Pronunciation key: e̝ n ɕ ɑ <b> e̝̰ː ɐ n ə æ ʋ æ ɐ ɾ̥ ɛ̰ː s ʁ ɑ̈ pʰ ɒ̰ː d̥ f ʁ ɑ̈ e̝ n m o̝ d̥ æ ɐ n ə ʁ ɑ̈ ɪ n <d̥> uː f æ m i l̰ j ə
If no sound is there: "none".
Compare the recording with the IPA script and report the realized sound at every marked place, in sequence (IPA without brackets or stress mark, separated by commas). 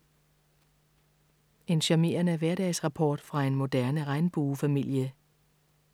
m, b̥